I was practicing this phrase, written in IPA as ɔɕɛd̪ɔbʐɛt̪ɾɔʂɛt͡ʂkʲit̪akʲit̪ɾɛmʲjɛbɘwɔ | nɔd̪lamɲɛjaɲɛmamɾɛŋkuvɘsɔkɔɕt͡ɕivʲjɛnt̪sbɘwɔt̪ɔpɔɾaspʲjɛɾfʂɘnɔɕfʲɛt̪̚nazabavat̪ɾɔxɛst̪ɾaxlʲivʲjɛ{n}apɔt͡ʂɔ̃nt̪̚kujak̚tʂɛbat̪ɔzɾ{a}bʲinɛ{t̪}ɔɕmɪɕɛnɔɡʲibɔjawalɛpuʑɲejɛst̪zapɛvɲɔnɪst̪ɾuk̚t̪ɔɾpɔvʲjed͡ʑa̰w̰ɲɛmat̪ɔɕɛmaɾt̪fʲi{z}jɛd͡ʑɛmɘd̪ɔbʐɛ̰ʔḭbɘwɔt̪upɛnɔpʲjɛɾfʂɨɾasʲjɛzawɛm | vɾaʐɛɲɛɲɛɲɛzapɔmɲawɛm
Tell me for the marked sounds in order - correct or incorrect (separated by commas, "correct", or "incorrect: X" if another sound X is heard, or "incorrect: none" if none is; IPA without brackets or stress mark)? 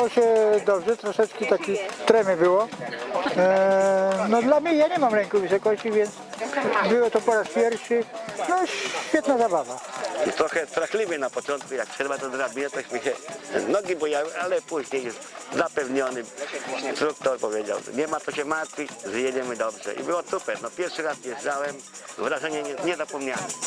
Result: correct, correct, correct, correct